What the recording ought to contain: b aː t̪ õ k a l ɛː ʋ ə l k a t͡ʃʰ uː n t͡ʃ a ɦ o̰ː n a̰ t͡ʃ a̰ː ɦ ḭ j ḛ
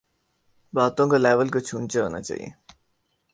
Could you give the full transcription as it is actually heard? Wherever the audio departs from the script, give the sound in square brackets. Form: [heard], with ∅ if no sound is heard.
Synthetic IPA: b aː t̪ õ k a l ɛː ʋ ə l k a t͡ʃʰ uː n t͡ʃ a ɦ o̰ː n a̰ t͡ʃ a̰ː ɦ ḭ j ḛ